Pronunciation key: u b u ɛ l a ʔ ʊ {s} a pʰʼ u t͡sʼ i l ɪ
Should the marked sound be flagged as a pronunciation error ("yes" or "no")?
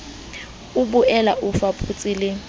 yes